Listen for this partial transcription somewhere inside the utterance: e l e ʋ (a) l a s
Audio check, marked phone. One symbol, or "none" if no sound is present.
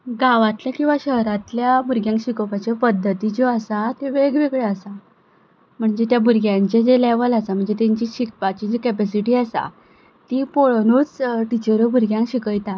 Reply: ə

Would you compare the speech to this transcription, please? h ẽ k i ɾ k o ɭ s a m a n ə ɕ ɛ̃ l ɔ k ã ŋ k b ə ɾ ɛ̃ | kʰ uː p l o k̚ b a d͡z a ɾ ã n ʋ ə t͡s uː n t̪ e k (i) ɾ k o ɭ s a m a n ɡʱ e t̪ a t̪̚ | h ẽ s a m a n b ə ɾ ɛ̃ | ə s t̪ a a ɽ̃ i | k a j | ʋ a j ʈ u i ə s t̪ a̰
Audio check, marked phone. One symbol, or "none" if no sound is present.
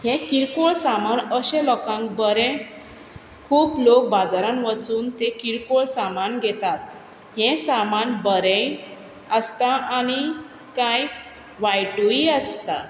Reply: i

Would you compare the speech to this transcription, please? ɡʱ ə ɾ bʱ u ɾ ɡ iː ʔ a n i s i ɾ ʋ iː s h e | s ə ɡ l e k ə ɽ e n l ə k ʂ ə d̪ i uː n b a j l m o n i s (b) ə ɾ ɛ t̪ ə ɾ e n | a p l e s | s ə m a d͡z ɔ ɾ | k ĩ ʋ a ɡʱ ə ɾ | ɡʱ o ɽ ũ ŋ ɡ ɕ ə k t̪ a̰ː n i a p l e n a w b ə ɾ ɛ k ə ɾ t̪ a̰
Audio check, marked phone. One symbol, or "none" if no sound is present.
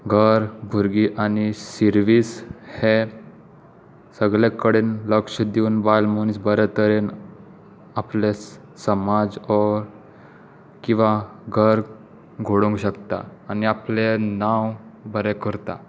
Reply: b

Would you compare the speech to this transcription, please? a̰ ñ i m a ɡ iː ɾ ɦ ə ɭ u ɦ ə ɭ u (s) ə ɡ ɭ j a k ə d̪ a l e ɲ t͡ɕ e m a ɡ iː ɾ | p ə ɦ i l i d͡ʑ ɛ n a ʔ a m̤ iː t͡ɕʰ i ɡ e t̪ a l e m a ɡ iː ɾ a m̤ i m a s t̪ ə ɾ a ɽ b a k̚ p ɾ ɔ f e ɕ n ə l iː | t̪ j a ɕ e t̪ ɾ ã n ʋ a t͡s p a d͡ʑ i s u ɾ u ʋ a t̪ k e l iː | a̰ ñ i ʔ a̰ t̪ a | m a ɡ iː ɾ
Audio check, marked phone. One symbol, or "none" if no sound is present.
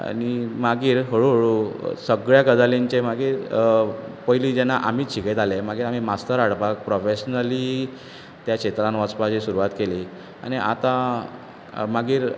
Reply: s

